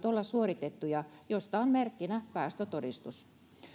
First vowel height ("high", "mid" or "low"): mid